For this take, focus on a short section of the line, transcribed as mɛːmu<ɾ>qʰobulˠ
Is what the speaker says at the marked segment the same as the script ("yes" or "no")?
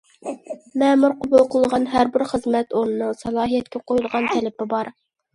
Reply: yes